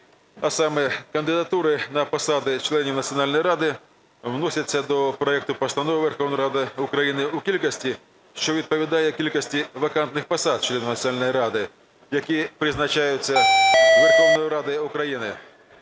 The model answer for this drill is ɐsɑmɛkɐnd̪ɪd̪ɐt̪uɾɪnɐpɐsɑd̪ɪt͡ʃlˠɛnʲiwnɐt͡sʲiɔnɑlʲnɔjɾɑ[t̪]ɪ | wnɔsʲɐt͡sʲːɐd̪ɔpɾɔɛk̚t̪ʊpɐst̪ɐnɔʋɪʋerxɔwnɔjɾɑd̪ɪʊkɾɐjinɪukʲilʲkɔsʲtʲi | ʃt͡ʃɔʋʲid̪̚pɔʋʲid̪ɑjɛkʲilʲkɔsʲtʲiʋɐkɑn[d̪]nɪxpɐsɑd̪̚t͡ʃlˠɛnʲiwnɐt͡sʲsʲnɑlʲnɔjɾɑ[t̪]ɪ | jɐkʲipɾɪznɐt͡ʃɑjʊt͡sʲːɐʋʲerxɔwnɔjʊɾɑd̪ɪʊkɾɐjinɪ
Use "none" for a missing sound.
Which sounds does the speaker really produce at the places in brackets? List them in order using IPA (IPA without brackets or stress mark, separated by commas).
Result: d̪, t̪, d̪